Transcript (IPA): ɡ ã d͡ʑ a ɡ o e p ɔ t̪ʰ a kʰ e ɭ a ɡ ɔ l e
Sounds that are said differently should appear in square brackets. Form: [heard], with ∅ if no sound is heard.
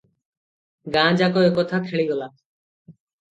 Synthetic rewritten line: ɡ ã d͡ʑ a [k] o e [k] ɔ t̪ʰ a kʰ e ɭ [i] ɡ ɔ l [a]